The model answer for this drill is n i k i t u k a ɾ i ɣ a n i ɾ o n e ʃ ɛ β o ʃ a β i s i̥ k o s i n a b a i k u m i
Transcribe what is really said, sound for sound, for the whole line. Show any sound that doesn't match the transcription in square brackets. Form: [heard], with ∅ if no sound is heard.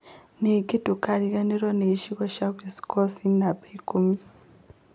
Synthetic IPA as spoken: n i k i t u k a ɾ i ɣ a n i ɾ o n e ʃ [i] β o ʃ a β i s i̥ k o s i n a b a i k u m i